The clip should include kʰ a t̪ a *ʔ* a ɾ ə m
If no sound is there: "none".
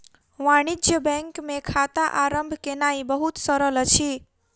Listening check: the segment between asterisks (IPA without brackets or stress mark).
ʔ